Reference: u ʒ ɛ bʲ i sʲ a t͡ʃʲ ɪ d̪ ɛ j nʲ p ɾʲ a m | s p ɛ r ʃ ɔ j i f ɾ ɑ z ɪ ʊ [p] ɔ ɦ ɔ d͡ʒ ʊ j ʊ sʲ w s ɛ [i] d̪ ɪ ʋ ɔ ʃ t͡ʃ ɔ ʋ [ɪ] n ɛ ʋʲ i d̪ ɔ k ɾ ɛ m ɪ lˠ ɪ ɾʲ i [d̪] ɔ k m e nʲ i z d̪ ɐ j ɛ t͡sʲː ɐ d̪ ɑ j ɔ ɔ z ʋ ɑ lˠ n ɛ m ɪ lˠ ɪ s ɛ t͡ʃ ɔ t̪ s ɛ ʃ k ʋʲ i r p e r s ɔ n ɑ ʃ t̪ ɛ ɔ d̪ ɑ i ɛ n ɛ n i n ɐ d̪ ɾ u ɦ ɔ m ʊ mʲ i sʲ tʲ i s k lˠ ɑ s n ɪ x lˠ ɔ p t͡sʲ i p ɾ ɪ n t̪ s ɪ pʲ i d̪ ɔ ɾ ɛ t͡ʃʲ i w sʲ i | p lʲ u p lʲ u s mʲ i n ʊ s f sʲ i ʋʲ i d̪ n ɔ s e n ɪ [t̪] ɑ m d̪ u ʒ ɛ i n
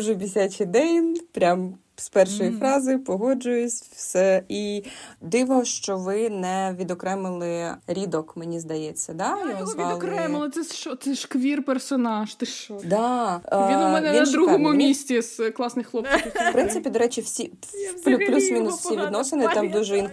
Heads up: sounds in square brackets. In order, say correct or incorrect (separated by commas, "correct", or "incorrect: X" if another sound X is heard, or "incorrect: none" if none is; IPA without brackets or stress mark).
correct, correct, correct, correct, correct